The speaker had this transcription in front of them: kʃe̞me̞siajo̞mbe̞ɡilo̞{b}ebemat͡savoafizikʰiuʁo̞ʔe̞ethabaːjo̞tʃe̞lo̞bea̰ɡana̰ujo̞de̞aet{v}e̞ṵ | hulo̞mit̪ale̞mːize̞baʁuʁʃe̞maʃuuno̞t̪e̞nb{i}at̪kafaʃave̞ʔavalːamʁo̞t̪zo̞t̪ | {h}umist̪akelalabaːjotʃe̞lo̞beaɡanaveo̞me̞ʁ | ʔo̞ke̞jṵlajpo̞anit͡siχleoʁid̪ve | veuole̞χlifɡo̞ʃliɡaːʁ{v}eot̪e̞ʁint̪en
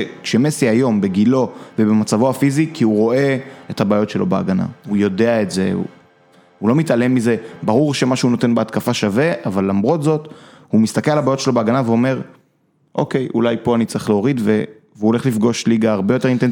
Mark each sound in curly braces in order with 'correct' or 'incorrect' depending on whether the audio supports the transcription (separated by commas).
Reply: incorrect, incorrect, incorrect, correct, incorrect